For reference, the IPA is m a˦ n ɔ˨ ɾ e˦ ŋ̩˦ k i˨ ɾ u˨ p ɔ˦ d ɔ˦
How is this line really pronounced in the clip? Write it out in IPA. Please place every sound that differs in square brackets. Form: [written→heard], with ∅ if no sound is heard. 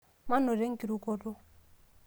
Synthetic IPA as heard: m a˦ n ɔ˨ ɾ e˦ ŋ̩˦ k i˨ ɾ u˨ [p→k] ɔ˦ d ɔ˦